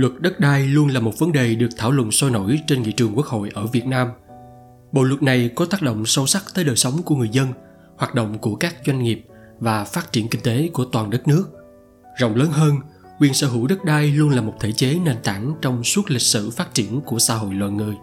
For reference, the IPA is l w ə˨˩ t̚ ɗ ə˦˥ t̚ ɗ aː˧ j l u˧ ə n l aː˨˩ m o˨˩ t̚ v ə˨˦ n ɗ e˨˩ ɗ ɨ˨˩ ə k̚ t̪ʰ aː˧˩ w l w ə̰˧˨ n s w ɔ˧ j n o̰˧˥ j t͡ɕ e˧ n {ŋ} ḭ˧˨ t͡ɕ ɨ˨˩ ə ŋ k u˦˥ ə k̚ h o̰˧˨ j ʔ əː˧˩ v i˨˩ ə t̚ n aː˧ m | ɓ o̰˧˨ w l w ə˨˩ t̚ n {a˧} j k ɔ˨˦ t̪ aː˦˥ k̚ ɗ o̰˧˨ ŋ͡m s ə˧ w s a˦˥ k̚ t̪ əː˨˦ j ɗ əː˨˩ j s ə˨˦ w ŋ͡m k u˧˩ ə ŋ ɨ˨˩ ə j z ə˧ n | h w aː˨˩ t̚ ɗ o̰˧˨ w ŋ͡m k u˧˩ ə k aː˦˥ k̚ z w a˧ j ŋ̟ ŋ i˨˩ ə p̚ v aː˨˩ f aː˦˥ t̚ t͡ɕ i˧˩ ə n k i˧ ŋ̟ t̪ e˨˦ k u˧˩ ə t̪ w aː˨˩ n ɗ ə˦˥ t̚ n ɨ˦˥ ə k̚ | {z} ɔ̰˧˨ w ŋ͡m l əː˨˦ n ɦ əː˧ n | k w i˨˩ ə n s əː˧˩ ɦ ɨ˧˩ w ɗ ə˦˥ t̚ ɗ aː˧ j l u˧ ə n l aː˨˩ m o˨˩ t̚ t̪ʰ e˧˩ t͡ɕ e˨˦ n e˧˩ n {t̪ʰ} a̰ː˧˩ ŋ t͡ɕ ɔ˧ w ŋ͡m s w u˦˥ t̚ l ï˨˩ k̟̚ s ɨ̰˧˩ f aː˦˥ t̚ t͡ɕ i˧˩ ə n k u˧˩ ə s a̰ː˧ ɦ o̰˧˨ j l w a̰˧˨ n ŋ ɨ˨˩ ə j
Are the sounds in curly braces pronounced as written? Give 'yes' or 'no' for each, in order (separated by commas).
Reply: yes, no, yes, no